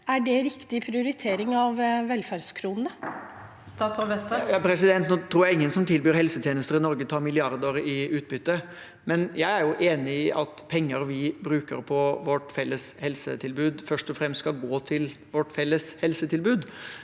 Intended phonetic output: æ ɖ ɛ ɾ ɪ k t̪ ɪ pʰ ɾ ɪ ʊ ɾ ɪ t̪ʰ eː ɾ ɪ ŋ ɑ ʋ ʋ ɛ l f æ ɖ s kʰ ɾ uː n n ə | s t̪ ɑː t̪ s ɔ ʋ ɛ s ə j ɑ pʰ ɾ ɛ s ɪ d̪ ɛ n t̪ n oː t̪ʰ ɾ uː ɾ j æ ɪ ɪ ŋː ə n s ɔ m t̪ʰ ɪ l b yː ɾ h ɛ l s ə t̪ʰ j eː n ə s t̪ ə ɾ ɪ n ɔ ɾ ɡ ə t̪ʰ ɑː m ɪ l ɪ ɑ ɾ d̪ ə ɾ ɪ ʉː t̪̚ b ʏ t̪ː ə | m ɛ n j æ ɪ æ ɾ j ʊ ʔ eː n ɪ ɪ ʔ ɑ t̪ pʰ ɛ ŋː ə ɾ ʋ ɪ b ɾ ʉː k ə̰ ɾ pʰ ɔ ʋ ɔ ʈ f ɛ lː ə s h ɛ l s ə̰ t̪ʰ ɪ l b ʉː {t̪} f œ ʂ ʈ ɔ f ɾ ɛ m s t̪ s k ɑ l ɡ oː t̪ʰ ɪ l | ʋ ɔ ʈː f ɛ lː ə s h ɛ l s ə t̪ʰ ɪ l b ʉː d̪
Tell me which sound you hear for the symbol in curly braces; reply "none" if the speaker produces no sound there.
d̪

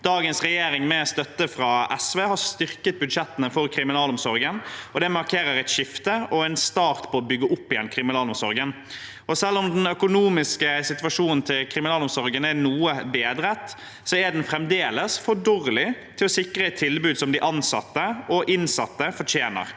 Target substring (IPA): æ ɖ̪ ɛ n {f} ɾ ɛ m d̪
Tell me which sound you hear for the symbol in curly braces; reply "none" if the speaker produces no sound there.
f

